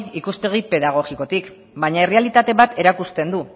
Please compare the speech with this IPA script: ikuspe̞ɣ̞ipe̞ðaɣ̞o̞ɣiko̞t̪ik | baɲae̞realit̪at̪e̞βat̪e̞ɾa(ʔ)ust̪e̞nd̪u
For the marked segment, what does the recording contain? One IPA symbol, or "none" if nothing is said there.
k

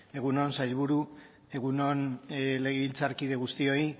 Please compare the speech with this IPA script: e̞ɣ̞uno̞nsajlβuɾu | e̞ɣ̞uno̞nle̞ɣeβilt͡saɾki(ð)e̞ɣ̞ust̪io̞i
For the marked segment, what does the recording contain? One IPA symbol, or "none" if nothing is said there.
ð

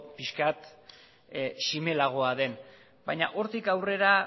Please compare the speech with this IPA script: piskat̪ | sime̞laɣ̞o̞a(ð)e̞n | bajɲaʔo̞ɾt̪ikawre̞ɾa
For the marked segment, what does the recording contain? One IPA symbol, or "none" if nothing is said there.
ð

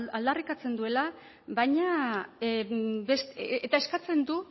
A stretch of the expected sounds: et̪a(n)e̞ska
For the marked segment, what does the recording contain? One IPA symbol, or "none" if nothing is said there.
none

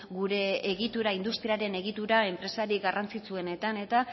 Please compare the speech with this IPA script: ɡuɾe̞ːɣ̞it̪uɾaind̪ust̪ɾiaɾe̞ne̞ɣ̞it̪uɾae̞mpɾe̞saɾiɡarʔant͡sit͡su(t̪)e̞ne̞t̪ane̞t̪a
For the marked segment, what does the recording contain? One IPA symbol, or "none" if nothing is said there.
none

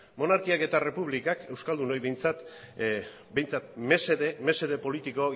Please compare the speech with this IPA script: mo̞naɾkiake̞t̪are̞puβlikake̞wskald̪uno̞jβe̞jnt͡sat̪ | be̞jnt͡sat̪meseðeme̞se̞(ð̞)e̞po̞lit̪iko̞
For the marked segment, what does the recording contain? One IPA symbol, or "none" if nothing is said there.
ð̞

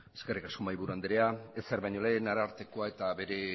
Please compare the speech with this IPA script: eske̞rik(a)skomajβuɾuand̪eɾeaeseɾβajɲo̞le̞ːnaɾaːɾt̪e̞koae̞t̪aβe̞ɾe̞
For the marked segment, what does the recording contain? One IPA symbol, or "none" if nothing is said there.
a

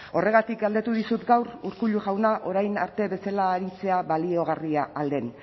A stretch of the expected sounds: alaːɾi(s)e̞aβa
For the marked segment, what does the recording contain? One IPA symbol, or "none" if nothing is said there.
t͡s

